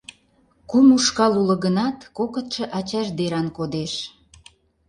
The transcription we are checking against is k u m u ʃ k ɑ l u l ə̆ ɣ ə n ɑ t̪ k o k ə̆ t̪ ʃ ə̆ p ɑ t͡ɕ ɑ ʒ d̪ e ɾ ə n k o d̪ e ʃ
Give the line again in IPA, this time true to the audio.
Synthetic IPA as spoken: k u m u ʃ k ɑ l u l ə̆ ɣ ə n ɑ t̪ k o k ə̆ t̪ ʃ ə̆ ʔ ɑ t͡ɕ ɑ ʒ d̪ e ɾ ɑ n k o d̪ e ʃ